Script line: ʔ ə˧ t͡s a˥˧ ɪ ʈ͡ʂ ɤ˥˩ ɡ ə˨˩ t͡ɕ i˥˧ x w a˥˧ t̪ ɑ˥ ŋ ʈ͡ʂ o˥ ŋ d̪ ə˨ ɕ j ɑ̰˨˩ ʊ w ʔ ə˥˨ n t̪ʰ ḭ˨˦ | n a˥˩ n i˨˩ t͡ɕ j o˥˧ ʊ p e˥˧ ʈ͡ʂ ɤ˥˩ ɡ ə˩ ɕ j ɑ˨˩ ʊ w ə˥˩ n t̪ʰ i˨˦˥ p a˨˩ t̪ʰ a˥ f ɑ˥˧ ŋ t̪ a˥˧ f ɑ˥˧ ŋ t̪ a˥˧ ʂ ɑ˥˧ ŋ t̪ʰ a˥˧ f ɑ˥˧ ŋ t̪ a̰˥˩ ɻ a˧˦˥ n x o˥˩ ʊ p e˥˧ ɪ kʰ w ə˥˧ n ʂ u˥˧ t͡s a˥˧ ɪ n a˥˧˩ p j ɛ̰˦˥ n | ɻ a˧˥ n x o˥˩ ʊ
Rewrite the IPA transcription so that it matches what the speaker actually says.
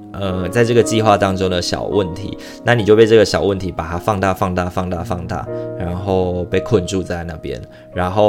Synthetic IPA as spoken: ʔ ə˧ t͡s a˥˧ ɪ ʈ͡ʂ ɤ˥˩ ɡ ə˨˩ t͡ɕ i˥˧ x w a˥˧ t̪ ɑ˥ ŋ ʈ͡ʂ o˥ ŋ d̪ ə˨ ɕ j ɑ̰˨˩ ʊ w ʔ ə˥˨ n t̪ʰ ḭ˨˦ | n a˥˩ n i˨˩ t͡ɕ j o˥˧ ʊ p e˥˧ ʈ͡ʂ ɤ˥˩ ɡ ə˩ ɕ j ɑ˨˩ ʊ w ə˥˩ n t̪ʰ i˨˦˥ p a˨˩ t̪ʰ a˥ f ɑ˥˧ ŋ t̪ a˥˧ f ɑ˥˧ ŋ t̪ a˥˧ f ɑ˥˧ ŋ t̪ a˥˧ f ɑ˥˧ ŋ t̪ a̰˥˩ ɻ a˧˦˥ n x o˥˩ ʊ p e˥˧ ɪ kʰ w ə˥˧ n ʈ͡ʂ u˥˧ t͡s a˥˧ ɪ n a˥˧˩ p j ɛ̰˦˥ n | ɻ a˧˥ n x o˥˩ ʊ